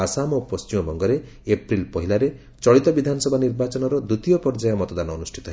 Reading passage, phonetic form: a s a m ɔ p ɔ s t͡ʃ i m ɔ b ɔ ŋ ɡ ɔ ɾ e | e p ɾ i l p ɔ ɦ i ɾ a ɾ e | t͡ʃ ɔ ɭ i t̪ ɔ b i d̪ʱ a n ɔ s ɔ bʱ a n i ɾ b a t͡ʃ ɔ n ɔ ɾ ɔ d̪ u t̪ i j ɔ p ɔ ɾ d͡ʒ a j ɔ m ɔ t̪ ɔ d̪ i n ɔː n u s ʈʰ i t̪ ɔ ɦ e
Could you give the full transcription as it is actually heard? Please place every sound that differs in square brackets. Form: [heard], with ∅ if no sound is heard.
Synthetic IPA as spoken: a s a m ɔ p ɔ s t͡ʃ i m ɔ b ɔ ŋ ɡ ɔ ɾ e | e p ɾ i l p ɔ ɦ i [l] a ɾ e | t͡ʃ ɔ ɭ i t̪ ɔ b i d̪ʱ a n ɔ s ɔ bʱ a n i ɾ b a t͡ʃ ɔ n ɔ ɾ ɔ d̪ u t̪ i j ɔ p ɔ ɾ d͡ʒ a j ɔ m ɔ t̪ ɔ d̪ [a] n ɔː n u s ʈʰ i t̪ ɔ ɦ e